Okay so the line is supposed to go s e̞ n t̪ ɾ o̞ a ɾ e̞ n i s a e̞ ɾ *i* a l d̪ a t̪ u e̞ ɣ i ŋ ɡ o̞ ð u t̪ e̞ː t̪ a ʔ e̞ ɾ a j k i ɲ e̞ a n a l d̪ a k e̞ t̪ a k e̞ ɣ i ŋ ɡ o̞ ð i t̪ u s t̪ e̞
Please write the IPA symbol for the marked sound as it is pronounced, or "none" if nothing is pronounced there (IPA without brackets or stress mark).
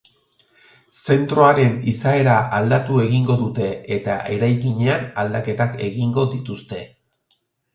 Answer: a